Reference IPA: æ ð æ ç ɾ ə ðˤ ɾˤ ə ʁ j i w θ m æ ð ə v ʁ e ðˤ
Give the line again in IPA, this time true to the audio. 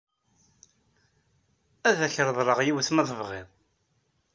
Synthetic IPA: æ ð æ ç ɾ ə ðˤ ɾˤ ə ʁ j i w θ m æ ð ə v ʁ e ðˤ